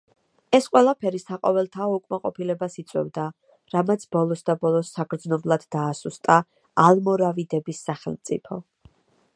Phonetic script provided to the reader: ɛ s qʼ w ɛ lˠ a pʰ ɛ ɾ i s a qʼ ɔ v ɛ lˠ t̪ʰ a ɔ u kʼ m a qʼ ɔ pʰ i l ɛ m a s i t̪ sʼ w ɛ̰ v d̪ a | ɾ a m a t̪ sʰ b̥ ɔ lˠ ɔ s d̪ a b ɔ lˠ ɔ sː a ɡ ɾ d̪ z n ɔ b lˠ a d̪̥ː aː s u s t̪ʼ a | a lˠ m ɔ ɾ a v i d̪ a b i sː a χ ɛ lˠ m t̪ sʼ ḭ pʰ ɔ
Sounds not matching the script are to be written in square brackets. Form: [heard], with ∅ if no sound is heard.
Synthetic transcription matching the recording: ɛ s qʼ w ɛ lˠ a pʰ ɛ ɾ i s a qʼ ɔ v ɛ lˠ t̪ʰ a ɔ u kʼ m a qʼ ɔ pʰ i l ɛ [b] a s i t̪ sʼ w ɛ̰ v d̪ a | ɾ a m a t̪ sʰ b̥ ɔ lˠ ɔ s d̪ a b ɔ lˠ ɔ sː a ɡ ɾ d̪ z n ɔ b lˠ a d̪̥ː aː s u s t̪ʼ a | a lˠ m ɔ ɾ a v i d̪ [ɛ] b i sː a χ ɛ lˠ m t̪ sʼ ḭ pʰ ɔ